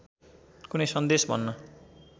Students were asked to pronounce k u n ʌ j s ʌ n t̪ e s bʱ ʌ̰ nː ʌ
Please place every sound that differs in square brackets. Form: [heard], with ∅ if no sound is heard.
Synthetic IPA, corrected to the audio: k u n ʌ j s ʌ n [d̪] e s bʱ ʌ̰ nː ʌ